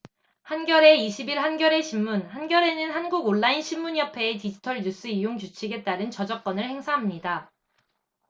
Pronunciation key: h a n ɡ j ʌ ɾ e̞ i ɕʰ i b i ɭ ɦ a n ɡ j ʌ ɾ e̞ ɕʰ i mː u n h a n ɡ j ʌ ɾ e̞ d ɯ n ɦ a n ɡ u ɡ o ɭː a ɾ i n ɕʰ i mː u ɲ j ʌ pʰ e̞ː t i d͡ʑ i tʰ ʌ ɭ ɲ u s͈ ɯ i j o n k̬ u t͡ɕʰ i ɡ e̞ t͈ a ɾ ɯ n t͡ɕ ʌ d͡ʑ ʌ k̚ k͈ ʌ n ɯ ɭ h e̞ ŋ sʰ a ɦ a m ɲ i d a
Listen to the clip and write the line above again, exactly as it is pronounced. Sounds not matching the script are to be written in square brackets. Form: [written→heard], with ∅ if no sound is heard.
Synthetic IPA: h a n ɡ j ʌ ɾ e̞ i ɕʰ i b i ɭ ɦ a n ɡ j ʌ ɾ e̞ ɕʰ i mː u n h a n ɡ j ʌ ɾ e̞ [d→n] ɯ n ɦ a n ɡ u ɡ o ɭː a [ɾ→∅] i n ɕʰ i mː u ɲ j ʌ pʰ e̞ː t i d͡ʑ i tʰ ʌ ɭ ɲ u s͈ ɯ i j o [n→ŋ] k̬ u t͡ɕʰ i ɡ e̞ t͈ a ɾ ɯ n t͡ɕ ʌ d͡ʑ ʌ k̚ k͈ ʌ n ɯ ɭ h e̞ ŋ sʰ a ɦ a m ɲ i d a